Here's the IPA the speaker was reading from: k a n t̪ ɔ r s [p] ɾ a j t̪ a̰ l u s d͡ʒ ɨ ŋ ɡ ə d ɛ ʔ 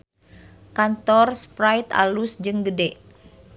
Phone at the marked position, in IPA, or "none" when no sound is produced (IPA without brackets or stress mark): p